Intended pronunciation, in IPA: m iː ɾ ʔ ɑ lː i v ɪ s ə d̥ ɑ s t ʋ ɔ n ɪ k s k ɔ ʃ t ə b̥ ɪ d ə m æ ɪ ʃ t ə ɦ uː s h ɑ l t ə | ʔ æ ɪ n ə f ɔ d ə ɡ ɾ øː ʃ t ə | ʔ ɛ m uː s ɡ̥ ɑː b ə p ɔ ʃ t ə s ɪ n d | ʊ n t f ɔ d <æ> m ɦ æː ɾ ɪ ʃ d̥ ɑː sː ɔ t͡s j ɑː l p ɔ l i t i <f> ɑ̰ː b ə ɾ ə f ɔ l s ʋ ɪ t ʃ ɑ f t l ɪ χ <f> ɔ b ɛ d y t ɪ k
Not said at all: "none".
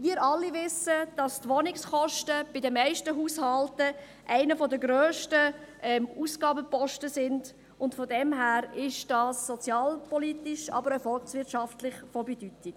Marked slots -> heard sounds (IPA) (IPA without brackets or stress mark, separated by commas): ɛ, ʃ, f